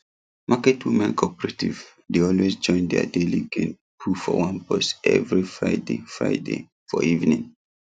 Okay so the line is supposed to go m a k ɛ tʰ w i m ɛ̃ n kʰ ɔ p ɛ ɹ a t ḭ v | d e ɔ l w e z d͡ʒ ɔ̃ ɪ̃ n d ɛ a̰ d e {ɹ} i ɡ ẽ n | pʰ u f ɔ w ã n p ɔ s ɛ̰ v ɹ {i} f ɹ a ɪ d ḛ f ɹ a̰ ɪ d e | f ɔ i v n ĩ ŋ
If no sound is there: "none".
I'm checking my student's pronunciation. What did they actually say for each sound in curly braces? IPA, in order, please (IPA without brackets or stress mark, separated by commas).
l, i